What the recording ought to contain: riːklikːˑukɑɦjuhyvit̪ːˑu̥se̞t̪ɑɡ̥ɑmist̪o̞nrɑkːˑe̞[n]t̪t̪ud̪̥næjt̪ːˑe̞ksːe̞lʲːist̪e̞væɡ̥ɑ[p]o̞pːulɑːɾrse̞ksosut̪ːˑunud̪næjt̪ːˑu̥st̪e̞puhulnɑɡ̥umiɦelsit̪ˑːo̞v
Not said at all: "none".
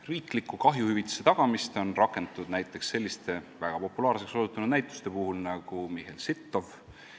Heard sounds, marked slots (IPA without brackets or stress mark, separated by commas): n, p